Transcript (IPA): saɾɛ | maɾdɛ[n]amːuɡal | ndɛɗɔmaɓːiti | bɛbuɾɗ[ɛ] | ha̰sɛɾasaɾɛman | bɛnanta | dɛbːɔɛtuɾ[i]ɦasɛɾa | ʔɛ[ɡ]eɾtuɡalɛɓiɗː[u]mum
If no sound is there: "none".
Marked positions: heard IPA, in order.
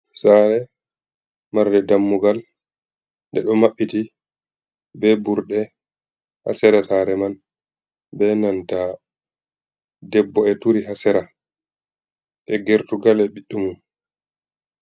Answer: d, ɛ, i, ɡ, u

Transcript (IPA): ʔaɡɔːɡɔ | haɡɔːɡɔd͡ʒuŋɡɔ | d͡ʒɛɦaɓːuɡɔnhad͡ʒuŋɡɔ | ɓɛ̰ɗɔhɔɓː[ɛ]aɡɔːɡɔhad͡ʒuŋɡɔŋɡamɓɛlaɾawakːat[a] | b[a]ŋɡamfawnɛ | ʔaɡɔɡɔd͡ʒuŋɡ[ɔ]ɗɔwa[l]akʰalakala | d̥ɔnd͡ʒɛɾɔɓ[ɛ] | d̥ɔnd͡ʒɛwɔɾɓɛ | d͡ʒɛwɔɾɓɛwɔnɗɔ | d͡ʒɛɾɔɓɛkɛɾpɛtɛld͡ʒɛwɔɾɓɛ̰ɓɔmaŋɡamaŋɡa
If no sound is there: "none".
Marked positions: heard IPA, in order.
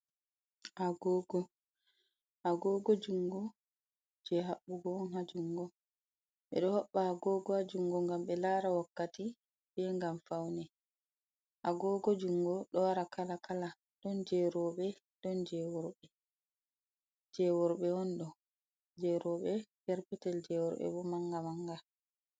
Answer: a, i, ɛ, ɔ, ɾ, ɛ

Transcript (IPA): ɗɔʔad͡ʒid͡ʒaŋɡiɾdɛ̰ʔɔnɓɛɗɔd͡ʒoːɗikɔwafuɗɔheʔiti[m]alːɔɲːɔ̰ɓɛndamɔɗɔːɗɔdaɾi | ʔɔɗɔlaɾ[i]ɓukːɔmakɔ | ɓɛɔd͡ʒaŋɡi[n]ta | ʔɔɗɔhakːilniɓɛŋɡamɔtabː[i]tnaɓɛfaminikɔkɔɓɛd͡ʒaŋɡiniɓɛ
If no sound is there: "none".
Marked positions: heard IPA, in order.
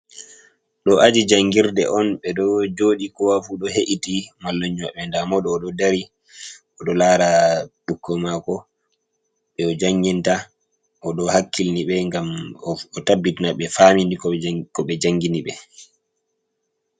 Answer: m, a, n, i

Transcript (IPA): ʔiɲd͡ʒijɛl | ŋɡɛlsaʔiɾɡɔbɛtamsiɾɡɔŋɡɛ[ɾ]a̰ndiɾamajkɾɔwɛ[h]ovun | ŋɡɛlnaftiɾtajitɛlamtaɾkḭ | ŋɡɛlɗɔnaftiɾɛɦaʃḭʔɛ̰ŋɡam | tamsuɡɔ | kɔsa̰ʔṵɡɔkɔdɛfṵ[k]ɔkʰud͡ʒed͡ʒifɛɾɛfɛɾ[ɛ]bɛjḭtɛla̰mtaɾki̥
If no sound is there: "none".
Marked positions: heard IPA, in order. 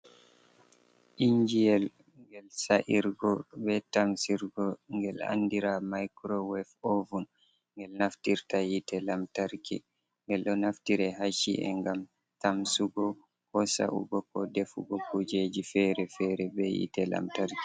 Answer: l, f, ɡ, ɛ

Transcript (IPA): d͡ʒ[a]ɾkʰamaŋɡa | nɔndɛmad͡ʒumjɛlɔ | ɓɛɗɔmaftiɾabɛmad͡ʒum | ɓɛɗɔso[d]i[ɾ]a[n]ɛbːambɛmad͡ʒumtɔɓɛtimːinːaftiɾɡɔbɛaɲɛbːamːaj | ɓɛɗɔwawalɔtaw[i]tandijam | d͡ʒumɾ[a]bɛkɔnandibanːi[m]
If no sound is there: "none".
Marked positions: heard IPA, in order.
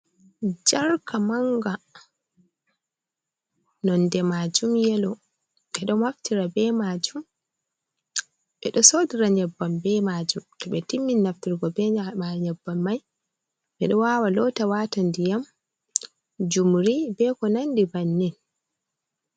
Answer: a, d, ɾ, ɲ, a, i, n

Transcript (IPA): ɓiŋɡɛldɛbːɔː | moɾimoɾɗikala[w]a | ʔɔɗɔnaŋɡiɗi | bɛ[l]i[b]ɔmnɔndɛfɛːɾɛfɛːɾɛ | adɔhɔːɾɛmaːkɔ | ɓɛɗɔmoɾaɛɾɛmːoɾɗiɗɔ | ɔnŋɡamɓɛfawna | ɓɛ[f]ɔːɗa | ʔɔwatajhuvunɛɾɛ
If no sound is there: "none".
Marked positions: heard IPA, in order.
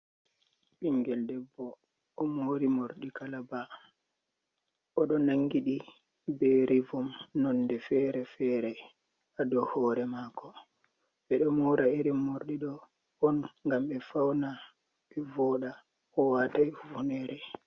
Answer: b, ɾ, v, v

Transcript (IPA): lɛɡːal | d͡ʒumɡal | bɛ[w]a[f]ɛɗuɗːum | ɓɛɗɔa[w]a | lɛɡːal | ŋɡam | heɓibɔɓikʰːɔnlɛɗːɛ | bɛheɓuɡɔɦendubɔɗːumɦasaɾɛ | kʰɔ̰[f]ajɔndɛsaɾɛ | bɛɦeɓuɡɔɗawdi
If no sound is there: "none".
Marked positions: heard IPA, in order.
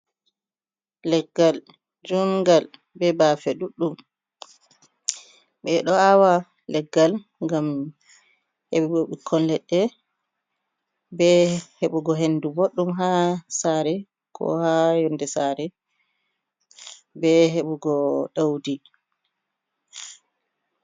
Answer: b, f, w, h

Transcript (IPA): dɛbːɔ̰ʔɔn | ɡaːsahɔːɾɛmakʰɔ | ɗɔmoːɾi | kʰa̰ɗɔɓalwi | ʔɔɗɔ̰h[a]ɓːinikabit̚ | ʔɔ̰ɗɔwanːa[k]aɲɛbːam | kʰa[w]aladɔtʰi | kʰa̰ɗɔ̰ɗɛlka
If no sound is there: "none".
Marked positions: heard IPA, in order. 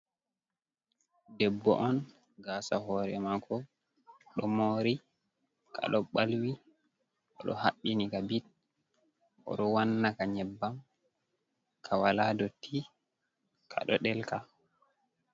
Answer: a, k, w

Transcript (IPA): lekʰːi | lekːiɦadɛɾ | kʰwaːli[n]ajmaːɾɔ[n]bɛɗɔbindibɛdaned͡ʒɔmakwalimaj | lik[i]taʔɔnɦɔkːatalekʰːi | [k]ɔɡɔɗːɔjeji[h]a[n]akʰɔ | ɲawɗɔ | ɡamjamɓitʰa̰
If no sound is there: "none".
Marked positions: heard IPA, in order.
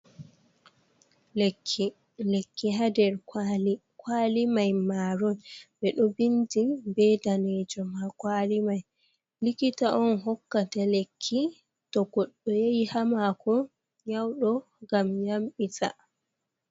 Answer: m, n, i, t, h, m

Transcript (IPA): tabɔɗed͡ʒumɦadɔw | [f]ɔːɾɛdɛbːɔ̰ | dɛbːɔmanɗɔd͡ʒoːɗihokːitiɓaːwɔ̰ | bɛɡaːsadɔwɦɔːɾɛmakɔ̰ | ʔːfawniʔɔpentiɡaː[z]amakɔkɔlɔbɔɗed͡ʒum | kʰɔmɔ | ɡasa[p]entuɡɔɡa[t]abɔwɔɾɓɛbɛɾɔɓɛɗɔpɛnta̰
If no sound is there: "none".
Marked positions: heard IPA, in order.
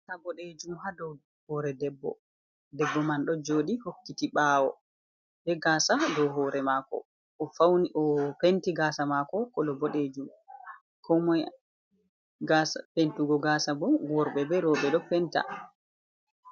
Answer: h, s, p, s

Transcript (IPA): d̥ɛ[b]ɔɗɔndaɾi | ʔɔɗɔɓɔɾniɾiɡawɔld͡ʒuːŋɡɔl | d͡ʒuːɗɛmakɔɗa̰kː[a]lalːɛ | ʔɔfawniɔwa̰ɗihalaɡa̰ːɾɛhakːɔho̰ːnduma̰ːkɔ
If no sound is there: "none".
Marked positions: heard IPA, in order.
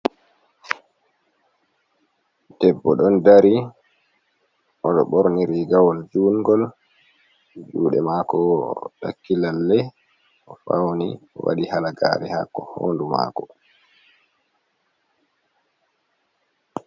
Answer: bː, i

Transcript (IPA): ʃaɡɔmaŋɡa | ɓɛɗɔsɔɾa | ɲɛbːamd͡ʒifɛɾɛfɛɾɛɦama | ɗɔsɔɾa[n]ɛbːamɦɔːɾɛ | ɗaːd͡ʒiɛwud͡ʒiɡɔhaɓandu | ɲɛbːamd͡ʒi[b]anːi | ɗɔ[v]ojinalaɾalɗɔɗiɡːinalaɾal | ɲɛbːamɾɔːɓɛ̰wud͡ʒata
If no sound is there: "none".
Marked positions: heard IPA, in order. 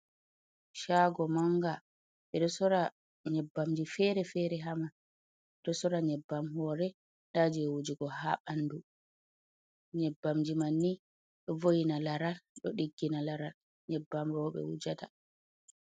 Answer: ɲ, m, v

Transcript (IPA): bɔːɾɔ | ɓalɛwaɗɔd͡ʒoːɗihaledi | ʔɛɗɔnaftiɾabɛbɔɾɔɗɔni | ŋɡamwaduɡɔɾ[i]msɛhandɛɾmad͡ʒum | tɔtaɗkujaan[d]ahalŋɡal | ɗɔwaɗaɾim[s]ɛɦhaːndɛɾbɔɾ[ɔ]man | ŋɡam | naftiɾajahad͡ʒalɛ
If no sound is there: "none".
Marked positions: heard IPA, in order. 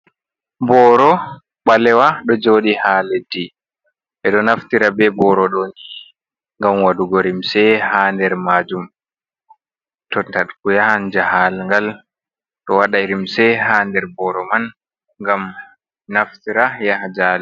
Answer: i, d͡ʒ, s, ɔ

